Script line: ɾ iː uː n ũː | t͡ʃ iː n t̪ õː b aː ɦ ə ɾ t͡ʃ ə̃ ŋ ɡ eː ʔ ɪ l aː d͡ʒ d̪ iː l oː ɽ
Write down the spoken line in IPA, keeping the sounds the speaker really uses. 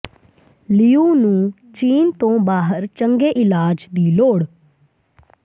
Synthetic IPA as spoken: l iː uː n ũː | t͡ʃ iː n t̪ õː b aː ɦ ə ɾ t͡ʃ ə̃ ŋ ɡ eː ʔ ɪ l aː d͡ʒ d̪ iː l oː ɽ